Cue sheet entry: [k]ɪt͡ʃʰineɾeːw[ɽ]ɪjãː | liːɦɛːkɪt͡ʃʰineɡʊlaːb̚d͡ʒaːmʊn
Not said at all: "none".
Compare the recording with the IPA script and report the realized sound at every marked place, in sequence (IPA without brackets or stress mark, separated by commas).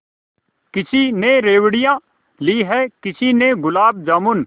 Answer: k, ɽ